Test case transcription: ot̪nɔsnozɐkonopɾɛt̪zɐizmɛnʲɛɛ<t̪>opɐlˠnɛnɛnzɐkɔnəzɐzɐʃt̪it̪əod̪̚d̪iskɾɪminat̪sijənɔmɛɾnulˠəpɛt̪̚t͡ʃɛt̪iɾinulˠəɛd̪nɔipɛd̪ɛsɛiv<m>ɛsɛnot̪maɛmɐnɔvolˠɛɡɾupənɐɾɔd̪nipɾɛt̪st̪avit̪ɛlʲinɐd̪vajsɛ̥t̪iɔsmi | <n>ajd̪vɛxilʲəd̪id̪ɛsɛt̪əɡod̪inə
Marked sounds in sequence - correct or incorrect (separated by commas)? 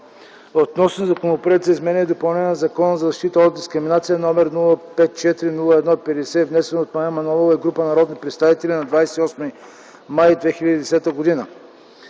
incorrect, incorrect, incorrect